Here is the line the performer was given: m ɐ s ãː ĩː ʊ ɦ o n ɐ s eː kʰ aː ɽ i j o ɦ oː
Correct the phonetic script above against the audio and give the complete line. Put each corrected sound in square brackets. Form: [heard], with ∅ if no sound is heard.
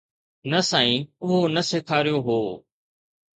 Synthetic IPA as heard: [n] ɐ s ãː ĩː ʊ ɦ o n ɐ s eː kʰ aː [ɾ] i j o ɦ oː